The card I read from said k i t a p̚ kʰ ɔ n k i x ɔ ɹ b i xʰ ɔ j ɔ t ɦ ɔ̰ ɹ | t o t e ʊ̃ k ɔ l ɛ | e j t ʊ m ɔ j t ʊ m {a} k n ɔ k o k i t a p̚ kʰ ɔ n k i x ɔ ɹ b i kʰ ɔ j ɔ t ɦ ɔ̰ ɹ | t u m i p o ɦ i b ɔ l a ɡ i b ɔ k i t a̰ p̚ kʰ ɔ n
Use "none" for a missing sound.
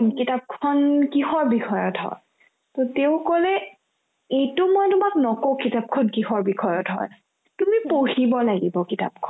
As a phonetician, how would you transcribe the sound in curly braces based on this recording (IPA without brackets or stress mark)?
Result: a